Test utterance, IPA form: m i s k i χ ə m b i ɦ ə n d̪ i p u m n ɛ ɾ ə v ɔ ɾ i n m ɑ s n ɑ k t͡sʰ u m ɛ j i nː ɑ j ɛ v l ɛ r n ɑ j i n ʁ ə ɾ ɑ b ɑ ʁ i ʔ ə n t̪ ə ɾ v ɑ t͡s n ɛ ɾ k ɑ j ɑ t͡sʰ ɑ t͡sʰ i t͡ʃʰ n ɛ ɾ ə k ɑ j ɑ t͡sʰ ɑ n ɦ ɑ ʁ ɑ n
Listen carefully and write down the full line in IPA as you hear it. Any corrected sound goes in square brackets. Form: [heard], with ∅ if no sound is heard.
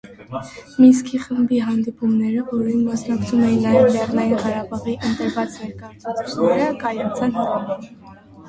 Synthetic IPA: m i s k i χ ə m b i ɦ [ɑ] n d̪ i p u m n ɛ ɾ ə v ɔ ɾ i n m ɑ s n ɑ k t͡sʰ u m ɛ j i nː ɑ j ɛ v l ɛ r n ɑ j i n ʁ [ɑ] ɾ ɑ b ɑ ʁ i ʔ ə n t̪ ə ɾ v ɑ t͡s n ɛ ɾ k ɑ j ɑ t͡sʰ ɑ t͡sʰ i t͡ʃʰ n ɛ ɾ ə k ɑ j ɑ t͡sʰ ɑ n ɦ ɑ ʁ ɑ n